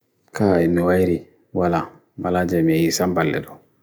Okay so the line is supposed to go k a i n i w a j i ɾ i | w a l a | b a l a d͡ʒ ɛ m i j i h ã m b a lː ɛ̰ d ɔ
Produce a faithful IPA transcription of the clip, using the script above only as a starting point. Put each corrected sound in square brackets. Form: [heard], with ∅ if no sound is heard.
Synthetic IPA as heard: k a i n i w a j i ɾ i | w a l a | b a l a d͡ʒ ɛ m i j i [s] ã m b a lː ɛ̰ d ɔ